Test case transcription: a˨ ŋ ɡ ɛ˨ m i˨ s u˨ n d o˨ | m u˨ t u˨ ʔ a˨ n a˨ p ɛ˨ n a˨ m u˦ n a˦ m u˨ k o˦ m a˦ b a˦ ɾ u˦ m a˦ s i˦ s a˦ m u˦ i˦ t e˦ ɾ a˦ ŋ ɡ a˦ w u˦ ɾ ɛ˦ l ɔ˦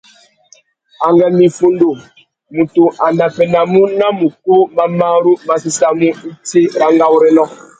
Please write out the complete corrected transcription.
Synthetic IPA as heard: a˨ ŋ ɡ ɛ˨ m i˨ f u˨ n d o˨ | m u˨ t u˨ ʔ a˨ n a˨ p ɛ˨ n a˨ m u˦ n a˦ m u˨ k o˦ m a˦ m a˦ ɾ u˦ m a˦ s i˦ s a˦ m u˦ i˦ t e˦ ɾ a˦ ŋ ɡ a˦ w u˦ ɾ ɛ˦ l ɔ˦